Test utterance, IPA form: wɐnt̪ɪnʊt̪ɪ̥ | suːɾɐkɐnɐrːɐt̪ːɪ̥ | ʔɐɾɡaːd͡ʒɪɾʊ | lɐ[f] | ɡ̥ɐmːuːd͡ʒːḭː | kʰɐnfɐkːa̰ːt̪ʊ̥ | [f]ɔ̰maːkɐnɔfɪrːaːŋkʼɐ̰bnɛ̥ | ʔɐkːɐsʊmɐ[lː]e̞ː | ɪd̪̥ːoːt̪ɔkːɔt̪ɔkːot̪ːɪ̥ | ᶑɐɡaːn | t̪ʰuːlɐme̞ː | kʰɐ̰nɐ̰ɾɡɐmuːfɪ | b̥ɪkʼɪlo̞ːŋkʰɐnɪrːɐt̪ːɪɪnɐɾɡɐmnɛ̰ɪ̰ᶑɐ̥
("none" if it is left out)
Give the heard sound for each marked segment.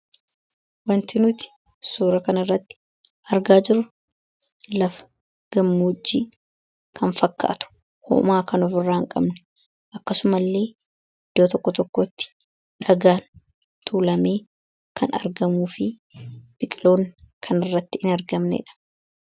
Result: f, h, lː

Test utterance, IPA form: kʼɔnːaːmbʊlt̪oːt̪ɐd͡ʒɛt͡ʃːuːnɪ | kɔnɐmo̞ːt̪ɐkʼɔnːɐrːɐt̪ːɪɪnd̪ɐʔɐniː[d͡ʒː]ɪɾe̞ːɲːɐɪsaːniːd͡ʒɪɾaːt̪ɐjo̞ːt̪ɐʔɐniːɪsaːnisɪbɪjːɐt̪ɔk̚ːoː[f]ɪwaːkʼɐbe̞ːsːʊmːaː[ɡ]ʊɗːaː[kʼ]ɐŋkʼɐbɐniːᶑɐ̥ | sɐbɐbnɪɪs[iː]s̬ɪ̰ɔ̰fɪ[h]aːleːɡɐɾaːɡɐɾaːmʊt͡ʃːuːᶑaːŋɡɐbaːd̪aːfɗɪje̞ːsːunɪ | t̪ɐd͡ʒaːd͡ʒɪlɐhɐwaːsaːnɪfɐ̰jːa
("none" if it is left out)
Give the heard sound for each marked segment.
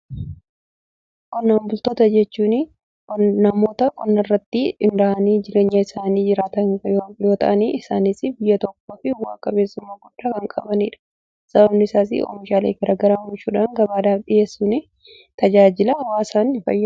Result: d͡ʒ, f, ɡ, k, aː, ʃ

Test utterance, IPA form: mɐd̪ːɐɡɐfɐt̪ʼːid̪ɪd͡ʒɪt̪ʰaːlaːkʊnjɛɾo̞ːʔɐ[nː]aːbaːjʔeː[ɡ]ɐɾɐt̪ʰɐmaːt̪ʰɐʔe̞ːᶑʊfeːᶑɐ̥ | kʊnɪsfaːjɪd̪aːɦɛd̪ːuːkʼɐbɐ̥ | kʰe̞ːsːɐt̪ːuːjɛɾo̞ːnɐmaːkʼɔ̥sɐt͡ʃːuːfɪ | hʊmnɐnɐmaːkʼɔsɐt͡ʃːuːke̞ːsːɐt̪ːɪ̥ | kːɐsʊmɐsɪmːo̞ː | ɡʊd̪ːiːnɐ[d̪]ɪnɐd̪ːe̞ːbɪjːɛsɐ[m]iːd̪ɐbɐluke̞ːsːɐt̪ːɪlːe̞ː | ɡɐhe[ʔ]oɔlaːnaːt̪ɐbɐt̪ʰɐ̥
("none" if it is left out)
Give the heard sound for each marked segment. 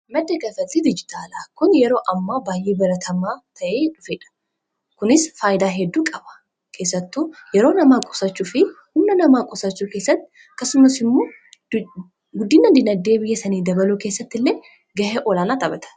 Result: mː, b, d̪, n, ʔ

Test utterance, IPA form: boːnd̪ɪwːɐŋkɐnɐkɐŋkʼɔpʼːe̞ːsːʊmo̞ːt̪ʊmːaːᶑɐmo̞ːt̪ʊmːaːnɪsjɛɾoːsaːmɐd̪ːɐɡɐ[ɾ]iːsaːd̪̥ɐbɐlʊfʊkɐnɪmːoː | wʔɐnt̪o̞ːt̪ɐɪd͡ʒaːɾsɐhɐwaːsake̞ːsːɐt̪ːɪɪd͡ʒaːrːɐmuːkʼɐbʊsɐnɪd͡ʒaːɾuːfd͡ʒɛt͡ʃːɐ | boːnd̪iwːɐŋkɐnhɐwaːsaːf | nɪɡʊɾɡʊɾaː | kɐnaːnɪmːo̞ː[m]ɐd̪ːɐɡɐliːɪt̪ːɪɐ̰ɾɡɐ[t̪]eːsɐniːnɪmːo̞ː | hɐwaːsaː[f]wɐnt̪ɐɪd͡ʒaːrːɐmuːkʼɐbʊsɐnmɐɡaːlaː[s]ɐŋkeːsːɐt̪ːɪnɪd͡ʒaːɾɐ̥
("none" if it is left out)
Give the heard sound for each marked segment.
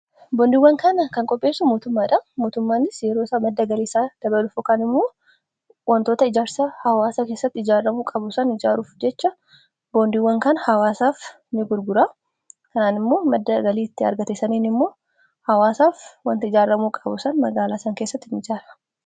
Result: l, m, t̪, f, s

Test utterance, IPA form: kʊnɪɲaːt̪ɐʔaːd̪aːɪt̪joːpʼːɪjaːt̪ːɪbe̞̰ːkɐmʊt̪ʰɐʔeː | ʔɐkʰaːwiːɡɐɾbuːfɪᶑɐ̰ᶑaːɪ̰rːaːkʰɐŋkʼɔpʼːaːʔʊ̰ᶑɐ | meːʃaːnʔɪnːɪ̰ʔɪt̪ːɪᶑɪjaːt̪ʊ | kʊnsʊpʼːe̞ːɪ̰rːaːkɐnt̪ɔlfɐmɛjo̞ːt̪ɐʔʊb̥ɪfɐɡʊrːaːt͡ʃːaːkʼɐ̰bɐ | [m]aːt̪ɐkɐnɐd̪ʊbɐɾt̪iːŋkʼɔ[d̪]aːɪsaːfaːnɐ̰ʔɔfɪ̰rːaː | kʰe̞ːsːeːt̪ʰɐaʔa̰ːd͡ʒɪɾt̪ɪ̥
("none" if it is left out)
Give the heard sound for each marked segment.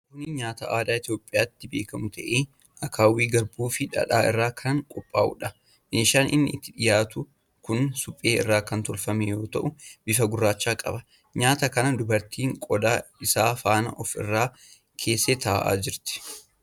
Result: ɲ, d̪

